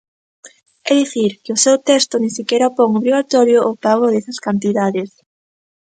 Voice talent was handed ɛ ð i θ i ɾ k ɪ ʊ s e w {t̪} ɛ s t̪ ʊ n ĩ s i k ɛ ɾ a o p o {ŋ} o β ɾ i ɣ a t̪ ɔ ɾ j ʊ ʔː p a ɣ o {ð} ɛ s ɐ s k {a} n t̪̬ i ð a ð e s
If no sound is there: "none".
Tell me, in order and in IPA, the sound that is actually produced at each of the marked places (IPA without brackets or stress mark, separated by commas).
t̪, ŋ, ð, a